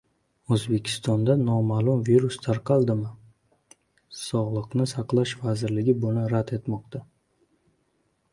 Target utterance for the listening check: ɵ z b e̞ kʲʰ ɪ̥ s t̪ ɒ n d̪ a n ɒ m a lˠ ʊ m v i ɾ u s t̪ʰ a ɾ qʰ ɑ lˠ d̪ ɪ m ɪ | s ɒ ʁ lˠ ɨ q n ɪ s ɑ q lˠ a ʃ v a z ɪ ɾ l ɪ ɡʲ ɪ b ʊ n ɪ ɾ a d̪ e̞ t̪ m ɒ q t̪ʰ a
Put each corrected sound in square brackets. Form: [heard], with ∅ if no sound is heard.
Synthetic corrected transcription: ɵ z b e̞ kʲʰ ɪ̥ s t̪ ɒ n d̪ a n ɒ m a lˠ ʊ m v i ɾ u s t̪ʰ a ɾ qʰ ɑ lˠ d̪ ɪ m ɪ | s ɒ ʁ lˠ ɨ q n ɪ s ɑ q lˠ a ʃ v a z ɪ ɾ l ɪ ɡʲ ɪ b ʊ n ɪ ɾ a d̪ e̞ t̪ m ɒ q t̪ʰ a